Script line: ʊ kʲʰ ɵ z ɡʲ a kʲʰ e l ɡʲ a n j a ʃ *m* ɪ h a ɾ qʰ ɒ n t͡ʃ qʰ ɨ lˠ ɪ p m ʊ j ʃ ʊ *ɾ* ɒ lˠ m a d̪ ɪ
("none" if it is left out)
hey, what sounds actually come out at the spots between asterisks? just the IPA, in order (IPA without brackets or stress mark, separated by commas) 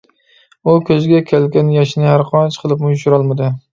n, ɾ